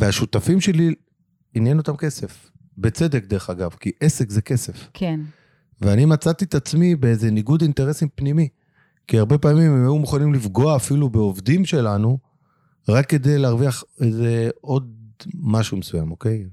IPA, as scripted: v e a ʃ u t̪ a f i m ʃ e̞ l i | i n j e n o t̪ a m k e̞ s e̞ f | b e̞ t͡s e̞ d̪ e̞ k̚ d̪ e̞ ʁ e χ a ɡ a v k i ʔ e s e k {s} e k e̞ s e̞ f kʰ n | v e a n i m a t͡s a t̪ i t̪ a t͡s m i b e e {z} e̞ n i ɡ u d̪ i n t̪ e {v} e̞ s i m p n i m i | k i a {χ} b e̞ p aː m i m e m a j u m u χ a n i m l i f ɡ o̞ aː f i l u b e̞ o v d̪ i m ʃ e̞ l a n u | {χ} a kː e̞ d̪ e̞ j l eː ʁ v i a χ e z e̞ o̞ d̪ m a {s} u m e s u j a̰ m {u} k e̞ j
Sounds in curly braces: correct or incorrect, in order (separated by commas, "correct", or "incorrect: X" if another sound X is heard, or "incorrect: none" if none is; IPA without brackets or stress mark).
incorrect: z, correct, incorrect: ʁ, incorrect: ʁ, incorrect: ʁ, incorrect: ʃ, incorrect: o